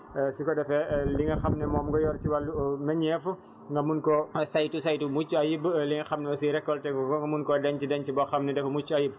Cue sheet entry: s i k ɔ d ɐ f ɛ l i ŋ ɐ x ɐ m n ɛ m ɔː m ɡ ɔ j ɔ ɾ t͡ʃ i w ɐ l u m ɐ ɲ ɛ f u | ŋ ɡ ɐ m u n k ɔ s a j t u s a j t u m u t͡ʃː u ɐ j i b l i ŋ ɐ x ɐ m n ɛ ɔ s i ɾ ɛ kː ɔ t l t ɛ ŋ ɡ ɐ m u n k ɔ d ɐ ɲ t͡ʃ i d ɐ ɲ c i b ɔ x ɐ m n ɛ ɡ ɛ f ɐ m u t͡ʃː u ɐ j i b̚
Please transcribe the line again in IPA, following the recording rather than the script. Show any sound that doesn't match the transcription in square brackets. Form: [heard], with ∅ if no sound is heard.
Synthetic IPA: s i k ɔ d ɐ f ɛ l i ŋ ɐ x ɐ m n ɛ m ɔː m ɡ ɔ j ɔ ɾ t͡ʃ i w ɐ l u m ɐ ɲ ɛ f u | ŋ ɡ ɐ m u n k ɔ s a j t u s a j t u m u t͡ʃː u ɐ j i b l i ŋ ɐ x ɐ m n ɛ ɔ s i ɾ ɛ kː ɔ [∅] l t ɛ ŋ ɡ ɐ m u n k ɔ d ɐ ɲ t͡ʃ i d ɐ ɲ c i b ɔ x ɐ m n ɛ [d] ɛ f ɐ m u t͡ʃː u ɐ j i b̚